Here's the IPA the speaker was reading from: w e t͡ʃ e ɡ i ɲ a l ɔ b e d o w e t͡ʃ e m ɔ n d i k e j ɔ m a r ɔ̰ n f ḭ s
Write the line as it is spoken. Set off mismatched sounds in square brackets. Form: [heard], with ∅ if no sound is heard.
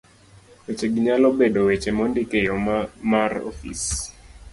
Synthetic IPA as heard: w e t͡ʃ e ɡ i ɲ a l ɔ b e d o w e t͡ʃ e m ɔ n d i k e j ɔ m a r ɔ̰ [∅] f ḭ s